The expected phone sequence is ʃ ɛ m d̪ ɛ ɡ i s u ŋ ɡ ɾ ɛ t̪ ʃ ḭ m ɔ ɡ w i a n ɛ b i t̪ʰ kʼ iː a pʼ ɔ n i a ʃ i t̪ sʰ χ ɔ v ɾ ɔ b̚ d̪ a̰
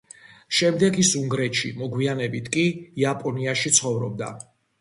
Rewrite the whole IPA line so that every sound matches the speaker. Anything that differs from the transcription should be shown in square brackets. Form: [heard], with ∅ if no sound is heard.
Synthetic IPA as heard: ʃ ɛ m d̪ ɛ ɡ i s u ŋ ɡ ɾ ɛ t̪ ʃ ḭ m ɔ ɡ w i a n ɛ b i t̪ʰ kʼ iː a pʼ ɔ n i a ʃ i t̪ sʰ χ ɔ v ɾ ɔ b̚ d̪ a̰